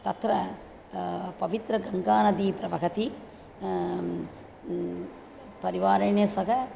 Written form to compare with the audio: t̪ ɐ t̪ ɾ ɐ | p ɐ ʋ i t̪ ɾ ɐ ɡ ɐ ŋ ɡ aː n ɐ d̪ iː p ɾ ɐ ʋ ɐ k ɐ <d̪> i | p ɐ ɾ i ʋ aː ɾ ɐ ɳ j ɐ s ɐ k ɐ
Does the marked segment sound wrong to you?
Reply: yes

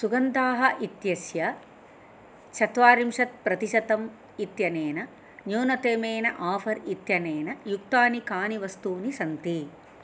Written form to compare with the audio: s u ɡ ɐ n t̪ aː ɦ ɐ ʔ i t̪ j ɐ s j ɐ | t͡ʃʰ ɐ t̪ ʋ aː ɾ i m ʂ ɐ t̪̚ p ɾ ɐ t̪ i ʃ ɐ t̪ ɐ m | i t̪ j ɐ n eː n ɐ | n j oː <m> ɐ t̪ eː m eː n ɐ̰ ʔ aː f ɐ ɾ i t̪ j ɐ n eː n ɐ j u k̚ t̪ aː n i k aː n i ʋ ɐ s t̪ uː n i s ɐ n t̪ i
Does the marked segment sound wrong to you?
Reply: yes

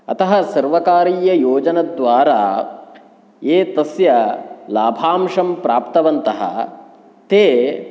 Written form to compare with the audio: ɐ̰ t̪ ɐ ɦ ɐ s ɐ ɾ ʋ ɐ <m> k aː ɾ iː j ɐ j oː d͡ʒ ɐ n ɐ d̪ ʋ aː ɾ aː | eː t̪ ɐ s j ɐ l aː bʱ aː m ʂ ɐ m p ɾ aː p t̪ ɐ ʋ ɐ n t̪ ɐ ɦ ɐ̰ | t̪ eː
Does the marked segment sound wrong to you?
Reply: yes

